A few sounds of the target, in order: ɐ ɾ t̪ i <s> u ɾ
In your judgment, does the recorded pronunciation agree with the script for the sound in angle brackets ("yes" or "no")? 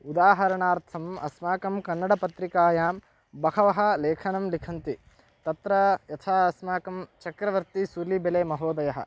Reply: yes